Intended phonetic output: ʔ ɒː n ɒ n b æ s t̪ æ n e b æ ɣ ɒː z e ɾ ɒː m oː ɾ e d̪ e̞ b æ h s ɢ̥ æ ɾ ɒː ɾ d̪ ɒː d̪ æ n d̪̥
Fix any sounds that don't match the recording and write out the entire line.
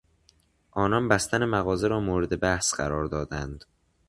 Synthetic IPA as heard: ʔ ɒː n ɒ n b æ s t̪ æ n e m æ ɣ ɒː z e ɾ ɒː m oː ɾ e d̪ e̞ b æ h s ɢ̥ æ ɾ ɒː ɾ d̪ ɒː d̪ æ n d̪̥